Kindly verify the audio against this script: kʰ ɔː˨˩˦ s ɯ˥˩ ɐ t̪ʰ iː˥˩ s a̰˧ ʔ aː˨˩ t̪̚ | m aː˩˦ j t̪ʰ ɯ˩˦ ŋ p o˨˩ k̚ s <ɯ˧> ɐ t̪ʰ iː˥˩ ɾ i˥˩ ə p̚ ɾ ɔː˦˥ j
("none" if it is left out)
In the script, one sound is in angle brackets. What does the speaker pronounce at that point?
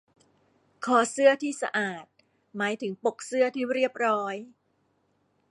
ɯ˥˩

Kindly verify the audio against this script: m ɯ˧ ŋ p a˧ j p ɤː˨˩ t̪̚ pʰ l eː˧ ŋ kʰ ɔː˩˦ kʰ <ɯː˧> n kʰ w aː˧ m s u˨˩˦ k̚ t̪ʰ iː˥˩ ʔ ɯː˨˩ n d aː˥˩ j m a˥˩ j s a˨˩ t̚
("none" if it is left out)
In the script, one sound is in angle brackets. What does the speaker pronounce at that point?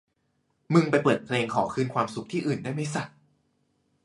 ɯː˥˩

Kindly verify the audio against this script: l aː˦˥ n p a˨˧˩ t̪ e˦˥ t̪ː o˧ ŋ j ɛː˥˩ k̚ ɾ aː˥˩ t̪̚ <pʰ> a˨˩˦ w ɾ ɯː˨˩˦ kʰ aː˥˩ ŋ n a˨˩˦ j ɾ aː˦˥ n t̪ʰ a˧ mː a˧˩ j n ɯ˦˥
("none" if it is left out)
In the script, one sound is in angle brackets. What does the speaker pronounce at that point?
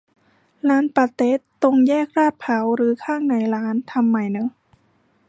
pʰ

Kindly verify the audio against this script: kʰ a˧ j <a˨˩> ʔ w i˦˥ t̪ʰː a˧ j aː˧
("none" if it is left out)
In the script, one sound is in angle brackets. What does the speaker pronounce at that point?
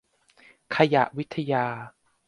a˨˩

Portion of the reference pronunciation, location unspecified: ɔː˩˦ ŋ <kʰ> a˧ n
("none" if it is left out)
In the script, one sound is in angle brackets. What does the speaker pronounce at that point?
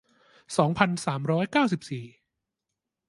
pʰ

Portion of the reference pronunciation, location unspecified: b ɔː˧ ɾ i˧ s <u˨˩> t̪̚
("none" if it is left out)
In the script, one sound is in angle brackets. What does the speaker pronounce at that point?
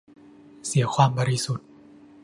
u˨˩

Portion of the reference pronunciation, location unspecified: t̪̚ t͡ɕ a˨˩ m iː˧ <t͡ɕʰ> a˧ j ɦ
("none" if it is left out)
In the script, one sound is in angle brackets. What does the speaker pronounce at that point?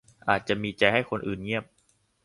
t͡ɕ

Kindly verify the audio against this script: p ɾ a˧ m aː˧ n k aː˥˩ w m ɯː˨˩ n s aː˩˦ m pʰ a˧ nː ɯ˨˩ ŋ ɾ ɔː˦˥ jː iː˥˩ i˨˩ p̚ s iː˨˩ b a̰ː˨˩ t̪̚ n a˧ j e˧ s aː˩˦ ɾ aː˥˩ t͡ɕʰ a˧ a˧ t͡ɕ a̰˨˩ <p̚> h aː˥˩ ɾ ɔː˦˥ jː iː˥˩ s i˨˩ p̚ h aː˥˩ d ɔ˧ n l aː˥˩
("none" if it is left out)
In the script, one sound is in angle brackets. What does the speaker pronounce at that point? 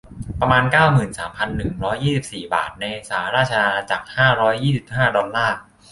k̚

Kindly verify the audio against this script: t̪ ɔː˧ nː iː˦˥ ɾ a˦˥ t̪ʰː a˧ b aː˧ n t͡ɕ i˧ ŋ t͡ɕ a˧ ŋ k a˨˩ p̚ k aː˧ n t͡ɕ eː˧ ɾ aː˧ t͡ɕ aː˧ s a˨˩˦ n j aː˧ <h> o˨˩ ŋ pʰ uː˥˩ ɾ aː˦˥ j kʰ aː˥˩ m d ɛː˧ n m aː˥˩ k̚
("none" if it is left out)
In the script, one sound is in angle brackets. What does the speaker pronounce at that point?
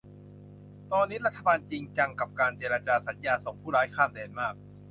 s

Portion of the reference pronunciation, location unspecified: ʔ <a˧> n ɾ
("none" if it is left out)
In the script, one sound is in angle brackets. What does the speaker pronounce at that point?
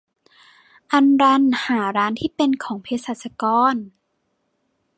a˧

